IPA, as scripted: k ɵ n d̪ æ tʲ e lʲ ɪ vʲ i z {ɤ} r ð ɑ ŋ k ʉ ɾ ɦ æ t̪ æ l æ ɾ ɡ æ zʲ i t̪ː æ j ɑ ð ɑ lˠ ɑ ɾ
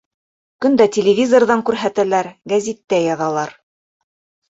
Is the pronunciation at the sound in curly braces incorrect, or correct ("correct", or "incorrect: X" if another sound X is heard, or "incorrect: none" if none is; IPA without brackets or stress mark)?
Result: incorrect: o